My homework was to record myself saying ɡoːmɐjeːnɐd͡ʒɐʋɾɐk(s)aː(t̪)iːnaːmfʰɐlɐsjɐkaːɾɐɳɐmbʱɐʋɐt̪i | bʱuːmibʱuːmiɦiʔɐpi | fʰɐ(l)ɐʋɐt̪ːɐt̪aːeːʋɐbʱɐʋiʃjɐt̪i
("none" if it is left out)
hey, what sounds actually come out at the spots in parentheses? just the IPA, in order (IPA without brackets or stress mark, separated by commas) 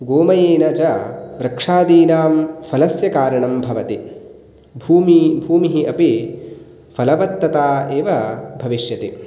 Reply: ʂ, d̪, l